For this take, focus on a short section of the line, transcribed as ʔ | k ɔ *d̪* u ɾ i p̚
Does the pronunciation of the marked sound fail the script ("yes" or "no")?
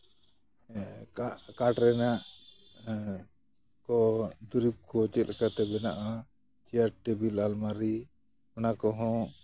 no